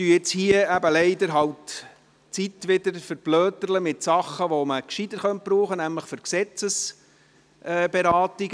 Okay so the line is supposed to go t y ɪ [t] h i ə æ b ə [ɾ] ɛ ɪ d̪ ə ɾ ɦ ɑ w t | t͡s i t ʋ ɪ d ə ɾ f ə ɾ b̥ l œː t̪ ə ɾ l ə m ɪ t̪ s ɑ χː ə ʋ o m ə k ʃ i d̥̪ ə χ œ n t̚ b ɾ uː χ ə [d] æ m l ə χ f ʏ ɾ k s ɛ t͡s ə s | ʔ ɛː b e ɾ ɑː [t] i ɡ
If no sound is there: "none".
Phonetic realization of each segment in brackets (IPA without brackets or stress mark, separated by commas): t͡s, l, n, t